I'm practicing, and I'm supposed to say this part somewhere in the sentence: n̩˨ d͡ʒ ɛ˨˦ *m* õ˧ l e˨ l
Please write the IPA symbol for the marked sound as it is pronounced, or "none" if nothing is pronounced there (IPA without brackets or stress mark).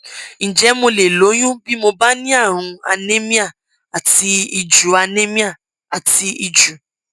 m